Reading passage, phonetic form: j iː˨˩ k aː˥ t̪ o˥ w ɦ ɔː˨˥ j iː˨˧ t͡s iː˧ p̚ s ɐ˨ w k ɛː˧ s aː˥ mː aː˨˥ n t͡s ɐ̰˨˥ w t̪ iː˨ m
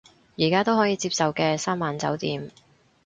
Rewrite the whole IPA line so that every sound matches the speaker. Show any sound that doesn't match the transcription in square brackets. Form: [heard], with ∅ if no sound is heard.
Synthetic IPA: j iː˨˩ k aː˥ t̪ o˥ w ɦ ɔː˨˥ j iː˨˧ t͡s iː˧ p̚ s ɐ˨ w k ɛː˧ s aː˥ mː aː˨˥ n t͡s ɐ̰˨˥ w t̪ iː˨ m